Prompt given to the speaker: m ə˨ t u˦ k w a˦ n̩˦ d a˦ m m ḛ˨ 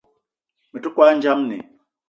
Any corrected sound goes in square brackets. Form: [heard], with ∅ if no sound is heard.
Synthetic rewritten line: m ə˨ t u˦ k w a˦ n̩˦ [d͡ʒ] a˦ m [n] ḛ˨